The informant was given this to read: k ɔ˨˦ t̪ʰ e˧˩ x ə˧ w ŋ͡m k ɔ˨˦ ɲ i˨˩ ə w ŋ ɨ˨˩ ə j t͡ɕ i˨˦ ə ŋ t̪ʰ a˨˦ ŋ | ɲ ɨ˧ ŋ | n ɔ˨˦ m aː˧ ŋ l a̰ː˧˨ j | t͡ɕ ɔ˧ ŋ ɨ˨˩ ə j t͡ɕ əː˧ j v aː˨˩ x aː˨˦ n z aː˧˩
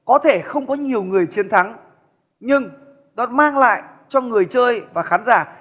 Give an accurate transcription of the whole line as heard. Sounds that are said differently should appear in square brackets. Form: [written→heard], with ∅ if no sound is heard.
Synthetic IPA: k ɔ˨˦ t̪ʰ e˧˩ x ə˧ w ŋ͡m k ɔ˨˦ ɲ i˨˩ ə w ŋ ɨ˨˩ ə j t͡ɕ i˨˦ ə [ŋ→n] t̪ʰ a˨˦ ŋ | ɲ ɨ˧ ŋ | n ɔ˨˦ m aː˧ ŋ l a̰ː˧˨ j | t͡ɕ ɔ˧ ŋ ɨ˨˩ ə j t͡ɕ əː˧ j v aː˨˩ x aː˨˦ n z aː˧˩

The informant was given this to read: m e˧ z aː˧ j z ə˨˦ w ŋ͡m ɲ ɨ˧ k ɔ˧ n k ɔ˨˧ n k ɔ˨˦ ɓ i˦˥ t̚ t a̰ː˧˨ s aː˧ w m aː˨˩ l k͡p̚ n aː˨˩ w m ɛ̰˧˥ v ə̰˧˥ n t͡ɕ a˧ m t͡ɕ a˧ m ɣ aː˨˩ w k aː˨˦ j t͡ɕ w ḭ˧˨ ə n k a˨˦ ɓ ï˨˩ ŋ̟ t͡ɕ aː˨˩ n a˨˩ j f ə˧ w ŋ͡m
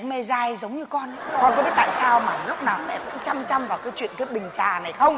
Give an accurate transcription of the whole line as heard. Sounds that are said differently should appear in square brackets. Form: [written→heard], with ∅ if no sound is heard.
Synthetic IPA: m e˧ z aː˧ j z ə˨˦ w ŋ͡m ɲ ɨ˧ k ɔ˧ n k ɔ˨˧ n k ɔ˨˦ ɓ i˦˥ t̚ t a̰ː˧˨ s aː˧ w m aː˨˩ l k͡p̚ n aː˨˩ w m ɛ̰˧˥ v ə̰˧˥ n t͡ɕ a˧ m t͡ɕ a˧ m [ɣ→v] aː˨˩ w k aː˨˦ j t͡ɕ w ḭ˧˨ ə n k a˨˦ ɓ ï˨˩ ŋ̟ t͡ɕ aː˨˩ n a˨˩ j [f→x] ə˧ w ŋ͡m

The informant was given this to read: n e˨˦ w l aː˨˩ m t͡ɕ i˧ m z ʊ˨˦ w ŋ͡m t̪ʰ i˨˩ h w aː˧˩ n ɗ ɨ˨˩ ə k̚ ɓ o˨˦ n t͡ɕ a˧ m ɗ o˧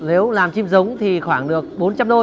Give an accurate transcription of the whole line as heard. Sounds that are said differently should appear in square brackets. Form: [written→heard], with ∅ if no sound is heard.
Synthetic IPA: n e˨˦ w l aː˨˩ m t͡ɕ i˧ m z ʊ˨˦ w ŋ͡m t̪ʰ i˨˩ [h→x] w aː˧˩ [n→ŋ] ɗ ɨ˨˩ ə k̚ ɓ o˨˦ n t͡ɕ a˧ m ɗ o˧

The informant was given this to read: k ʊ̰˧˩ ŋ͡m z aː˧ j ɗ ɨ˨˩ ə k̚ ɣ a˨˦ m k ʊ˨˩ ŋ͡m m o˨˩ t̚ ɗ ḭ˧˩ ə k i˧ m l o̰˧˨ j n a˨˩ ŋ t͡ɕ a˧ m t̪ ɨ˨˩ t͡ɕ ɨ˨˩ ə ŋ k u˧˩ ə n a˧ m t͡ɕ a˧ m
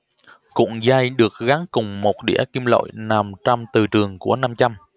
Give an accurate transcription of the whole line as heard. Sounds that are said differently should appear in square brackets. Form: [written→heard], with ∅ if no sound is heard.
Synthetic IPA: k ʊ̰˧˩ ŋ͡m z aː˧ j ɗ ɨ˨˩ ə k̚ ɣ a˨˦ [m→ŋ] k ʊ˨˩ ŋ͡m m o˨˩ t̚ ɗ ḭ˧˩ ə k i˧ m l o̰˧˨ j n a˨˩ [ŋ→m] t͡ɕ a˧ m t̪ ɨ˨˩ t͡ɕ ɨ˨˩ ə ŋ k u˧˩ ə n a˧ m t͡ɕ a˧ m

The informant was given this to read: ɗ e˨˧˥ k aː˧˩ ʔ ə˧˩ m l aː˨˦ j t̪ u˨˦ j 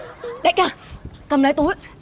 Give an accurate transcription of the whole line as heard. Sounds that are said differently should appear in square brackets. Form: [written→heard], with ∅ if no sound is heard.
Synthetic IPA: ɗ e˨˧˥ k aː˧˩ [ʔ→k] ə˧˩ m l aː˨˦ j t̪ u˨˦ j

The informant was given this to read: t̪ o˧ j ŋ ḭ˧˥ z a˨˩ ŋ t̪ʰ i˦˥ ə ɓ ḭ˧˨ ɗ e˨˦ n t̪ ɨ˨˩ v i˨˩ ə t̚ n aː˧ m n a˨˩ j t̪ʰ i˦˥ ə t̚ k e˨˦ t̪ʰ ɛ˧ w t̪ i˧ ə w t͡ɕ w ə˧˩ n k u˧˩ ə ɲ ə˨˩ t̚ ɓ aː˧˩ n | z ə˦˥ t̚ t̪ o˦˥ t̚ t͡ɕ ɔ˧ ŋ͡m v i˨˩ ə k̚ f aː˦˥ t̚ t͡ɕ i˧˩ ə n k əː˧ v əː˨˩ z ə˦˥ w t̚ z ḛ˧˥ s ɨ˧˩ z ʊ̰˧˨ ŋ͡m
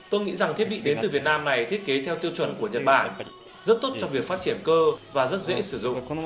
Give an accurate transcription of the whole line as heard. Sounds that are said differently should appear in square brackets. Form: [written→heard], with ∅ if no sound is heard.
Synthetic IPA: t̪ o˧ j ŋ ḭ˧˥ z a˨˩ ŋ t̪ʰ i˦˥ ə ɓ ḭ˧˨ ɗ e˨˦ n t̪ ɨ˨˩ v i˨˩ ə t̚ n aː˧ m n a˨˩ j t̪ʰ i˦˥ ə t̚ k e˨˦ t̪ʰ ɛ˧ w t̪ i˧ ə w t͡ɕ w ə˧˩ n k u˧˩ ə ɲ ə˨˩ t̚ ɓ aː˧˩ n | z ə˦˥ t̚ t̪ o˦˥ t̚ t͡ɕ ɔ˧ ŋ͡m v i˨˩ ə k̚ f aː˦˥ t̚ t͡ɕ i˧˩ ə n k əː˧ v [əː˨˩→aː˨˩] z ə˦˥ [w→∅] t̚ z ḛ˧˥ s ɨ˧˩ z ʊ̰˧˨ ŋ͡m

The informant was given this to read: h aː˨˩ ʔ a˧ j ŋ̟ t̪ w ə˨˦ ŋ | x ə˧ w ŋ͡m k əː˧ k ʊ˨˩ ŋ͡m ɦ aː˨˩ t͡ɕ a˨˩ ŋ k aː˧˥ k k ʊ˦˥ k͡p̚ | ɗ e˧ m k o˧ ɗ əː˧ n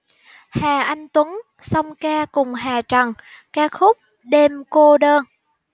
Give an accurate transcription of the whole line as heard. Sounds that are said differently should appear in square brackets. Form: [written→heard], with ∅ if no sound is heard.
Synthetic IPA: h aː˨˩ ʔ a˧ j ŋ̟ t̪ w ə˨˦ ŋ | [x→s] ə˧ w ŋ͡m k [əː˧→aː˧] k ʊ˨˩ ŋ͡m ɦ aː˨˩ t͡ɕ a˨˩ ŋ k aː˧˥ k [k→x] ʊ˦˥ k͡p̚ | ɗ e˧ m k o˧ ɗ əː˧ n

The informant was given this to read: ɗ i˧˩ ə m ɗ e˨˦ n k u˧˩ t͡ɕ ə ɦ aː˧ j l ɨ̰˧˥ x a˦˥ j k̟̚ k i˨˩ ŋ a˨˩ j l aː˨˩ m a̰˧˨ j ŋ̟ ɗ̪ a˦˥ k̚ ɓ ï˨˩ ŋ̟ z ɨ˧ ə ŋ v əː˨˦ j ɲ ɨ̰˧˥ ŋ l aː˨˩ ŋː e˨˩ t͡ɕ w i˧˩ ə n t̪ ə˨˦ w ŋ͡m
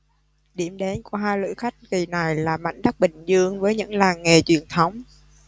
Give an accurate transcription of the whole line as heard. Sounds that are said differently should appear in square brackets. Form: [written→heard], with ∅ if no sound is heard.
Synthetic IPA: ɗ i˧˩ ə m ɗ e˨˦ n k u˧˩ [t͡ɕ→∅] ə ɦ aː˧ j l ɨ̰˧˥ x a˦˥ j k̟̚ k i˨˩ [ŋ→n] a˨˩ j l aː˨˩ m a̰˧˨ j ŋ̟ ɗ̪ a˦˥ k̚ ɓ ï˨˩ ŋ̟ z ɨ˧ ə ŋ v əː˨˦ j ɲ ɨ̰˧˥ ŋ l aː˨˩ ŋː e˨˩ t͡ɕ w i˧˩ ə n [t̪→t̪ʰ] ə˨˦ w ŋ͡m

